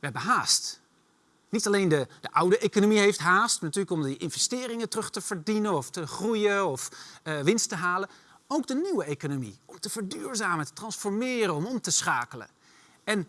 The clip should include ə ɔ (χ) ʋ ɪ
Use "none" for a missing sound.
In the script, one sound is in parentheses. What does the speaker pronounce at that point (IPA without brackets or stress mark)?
f